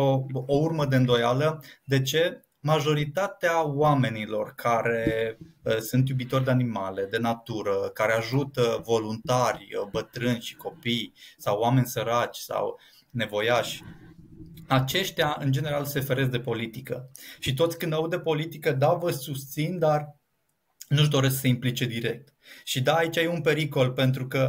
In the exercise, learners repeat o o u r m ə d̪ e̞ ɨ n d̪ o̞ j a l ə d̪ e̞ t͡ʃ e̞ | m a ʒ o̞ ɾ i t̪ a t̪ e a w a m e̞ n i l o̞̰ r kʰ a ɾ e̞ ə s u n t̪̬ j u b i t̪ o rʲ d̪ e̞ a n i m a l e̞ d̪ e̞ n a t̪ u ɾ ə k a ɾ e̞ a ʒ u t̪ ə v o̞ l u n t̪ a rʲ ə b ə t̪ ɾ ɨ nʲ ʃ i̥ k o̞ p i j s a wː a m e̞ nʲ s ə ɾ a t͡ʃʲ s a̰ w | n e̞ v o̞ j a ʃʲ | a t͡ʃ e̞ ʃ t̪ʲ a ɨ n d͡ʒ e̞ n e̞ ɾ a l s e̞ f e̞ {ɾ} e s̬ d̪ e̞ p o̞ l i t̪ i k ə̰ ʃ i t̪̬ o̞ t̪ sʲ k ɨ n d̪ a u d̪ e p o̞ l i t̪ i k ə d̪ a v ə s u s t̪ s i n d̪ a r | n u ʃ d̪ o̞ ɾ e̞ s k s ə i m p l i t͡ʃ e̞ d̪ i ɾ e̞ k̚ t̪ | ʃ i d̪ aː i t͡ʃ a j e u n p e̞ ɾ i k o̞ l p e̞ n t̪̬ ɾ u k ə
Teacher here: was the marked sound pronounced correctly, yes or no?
yes